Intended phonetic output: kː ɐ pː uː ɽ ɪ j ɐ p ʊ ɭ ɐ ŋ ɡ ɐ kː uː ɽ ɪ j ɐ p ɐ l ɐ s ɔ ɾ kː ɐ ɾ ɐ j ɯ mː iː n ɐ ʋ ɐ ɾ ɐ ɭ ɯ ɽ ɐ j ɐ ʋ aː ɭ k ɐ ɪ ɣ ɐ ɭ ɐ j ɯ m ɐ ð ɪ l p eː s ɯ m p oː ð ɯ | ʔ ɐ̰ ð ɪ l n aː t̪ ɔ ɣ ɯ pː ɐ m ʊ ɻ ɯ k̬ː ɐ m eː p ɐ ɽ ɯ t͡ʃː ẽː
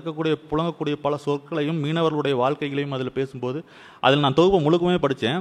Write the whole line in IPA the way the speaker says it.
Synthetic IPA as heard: kː ɐ kː uː ɽ ɪ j ɐ p ʊ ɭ ɐ ŋ ɡ ɐ kː uː ɽ ɪ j ɐ p ɐ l ɐ s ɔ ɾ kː ɐ ɭ ɐ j ɯ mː iː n ɐ ʋ ɐ ɾ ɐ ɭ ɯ ɽ ɐ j ɐ ʋ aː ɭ k ɐ ɪ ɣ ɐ ɭ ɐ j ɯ m ɐ ð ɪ l p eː s ɯ m p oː ð ɯ | ʔ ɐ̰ ð ɪ l n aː t̪ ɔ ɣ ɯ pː ɐ m ʊ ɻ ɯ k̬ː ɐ m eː p ɐ ɽ ɯ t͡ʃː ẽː